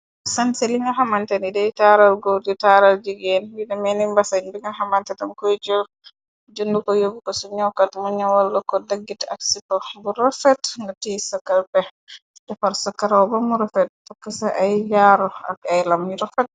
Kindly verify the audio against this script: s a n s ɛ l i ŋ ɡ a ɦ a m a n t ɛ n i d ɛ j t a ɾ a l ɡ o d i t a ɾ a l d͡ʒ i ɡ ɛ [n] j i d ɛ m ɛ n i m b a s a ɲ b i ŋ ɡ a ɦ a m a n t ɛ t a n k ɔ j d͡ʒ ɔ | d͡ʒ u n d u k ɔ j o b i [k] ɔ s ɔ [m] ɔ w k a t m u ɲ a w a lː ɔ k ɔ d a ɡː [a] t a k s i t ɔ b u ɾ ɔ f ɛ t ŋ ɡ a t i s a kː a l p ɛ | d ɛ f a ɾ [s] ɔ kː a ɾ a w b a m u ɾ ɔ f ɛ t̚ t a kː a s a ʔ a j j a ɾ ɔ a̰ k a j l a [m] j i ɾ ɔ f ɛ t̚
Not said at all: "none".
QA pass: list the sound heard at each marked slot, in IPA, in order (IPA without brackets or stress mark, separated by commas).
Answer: n, k, ɲ, i, s, m